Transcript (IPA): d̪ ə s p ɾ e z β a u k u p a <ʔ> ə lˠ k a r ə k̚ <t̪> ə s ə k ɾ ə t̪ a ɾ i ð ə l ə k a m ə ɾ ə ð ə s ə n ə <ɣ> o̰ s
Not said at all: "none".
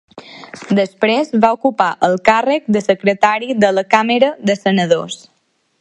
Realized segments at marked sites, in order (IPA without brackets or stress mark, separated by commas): ʔ, d̪, ð